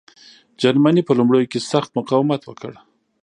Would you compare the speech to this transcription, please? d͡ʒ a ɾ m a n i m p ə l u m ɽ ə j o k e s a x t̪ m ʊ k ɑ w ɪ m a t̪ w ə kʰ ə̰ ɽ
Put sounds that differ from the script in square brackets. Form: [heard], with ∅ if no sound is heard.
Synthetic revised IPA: d͡ʒ a ɾ m a n i [∅] p ə l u m ɽ ə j o k e s a x t̪ m ʊ [q] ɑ w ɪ m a t̪ w ə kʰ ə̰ ɽ